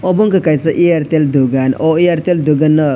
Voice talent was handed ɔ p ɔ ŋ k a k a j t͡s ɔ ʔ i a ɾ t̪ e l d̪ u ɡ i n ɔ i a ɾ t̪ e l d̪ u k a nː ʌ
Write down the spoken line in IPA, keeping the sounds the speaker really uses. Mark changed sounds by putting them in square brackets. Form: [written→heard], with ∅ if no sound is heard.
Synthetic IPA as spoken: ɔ [p→b] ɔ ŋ k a k a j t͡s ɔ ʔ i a ɾ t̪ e l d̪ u ɡ [i→a] n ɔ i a ɾ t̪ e l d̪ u [k→ɡ] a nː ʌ